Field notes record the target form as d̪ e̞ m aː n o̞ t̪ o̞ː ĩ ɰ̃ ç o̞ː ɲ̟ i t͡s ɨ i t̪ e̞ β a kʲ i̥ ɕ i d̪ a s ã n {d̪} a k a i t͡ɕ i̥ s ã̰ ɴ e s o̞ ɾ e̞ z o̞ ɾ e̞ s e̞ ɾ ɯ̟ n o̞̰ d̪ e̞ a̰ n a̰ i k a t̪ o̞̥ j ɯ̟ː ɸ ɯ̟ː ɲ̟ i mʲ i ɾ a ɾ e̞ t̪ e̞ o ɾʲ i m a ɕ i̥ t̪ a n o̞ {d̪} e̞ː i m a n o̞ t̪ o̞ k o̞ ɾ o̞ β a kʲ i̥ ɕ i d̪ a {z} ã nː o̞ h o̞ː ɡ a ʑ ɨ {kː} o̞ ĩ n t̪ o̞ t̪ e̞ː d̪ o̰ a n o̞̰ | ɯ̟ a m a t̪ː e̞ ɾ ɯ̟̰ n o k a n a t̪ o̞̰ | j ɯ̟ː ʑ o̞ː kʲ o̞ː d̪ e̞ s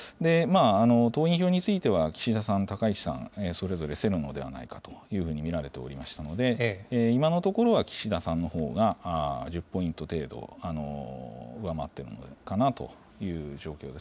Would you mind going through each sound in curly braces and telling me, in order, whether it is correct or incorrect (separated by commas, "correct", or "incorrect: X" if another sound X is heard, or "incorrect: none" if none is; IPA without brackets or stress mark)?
incorrect: t̪, correct, incorrect: s, incorrect: pː